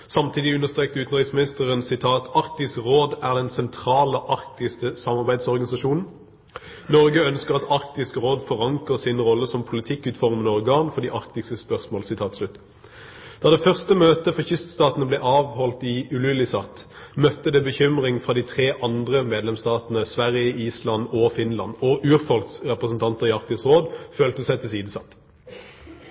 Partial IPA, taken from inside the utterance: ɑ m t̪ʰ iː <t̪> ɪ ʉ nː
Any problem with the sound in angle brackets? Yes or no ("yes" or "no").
yes